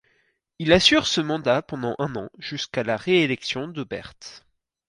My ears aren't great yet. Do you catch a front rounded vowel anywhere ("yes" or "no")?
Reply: yes